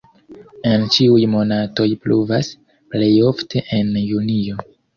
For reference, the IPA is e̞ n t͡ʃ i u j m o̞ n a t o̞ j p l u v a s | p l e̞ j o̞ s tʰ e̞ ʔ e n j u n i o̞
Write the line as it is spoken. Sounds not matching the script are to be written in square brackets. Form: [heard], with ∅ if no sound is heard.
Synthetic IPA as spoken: e̞ n t͡ʃ i u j m o̞ n a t o̞ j p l u v a s | p l e̞ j o̞ [f] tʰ e̞ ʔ e n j u n i o̞